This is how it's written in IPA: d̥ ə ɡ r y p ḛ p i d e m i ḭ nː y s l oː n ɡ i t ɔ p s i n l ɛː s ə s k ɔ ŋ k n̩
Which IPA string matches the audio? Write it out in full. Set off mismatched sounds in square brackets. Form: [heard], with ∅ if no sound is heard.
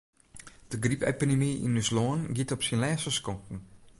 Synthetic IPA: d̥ ə ɡ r [i] p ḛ p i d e m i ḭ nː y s l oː n ɡ i t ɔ p s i n l ɛː s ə s k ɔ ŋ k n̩

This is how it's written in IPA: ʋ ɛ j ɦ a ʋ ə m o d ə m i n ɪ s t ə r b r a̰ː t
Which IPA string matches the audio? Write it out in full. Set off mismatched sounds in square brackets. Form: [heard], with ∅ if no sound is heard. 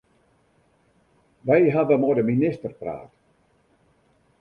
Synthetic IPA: ʋ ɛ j ɦ a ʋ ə m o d ə m i n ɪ s t ə r [p] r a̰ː t

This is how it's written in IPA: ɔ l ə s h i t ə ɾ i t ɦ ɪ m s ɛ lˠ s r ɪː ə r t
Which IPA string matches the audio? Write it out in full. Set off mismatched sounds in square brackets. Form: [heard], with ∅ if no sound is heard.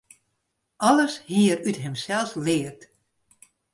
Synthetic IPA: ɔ l ə s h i [∅] ə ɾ [y] t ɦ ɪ m s ɛ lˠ s [l] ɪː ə r t

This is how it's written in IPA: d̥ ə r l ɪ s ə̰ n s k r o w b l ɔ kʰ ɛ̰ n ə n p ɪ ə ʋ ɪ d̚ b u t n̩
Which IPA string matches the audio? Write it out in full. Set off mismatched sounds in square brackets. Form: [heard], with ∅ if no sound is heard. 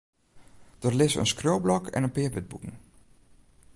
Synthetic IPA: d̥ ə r l ɪ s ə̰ n s k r o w b l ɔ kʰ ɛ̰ n ə n p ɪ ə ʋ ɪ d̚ b u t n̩

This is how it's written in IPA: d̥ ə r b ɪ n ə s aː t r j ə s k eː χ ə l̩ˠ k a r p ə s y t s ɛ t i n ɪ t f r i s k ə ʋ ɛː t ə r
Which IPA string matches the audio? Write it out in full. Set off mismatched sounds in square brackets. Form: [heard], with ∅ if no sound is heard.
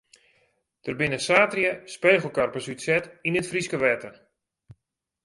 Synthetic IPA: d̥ ə r b ɪ n ə s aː t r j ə s [p] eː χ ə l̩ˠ k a r p ə s y t s ɛ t i n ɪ t f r i s k ə ʋ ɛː t ə r

